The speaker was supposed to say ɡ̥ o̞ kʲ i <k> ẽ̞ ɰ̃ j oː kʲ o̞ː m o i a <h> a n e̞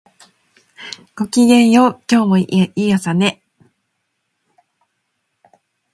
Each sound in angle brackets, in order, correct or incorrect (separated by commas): incorrect, incorrect